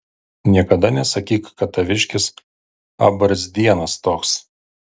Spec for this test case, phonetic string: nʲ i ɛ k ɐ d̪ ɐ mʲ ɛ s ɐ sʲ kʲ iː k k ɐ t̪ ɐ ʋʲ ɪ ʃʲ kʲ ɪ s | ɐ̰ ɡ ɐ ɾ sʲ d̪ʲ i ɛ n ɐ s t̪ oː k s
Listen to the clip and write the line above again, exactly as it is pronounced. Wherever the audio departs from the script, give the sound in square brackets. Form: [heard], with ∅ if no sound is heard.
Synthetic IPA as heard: nʲ i ɛ k ɐ d̪ ɐ [nʲ] ɛ s ɐ [∅] kʲ iː k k ɐ t̪ ɐ ʋʲ ɪ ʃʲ kʲ ɪ s | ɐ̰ [b] ɐ ɾ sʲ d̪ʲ i ɛ n ɐ s t̪ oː k s